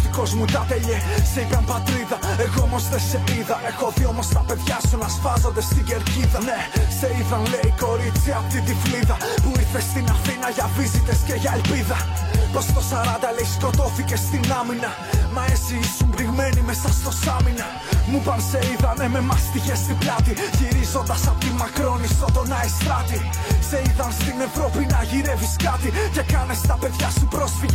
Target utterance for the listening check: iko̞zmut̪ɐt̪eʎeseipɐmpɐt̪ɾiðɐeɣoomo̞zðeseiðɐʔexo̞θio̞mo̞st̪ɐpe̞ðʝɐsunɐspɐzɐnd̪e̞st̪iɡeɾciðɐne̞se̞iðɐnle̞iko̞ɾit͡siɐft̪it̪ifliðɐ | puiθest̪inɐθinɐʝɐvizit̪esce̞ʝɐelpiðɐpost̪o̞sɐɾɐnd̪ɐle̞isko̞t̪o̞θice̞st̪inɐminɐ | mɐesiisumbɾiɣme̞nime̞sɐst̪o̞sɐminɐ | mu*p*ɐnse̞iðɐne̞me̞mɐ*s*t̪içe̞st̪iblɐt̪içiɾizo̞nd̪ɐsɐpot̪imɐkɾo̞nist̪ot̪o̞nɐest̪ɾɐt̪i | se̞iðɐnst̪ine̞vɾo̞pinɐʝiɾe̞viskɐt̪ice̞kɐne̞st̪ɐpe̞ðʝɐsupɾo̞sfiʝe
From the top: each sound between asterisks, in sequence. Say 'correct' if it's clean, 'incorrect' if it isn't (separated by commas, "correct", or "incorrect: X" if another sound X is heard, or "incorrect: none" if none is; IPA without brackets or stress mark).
correct, correct